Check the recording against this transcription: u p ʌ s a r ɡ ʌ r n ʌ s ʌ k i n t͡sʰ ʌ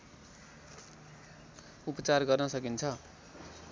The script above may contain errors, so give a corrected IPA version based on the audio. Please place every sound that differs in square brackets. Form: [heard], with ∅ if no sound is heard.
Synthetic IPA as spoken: u p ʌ [t͡s] a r ɡ ʌ r n ʌ s ʌ k i n t͡sʰ ʌ